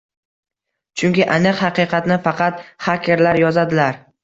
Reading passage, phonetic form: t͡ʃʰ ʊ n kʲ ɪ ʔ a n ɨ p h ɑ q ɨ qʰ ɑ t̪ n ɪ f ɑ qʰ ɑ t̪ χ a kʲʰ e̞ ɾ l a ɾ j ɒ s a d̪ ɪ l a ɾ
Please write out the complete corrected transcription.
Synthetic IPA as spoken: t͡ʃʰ ʊ ŋ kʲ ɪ ʔ a n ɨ q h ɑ q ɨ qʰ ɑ t̪ n ɪ f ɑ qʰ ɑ t̪ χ a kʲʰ e̞ ɾ l a ɾ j ɒ z a d̪ ɪ l a ɾ